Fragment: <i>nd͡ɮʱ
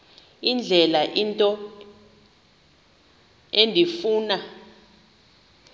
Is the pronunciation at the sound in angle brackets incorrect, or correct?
correct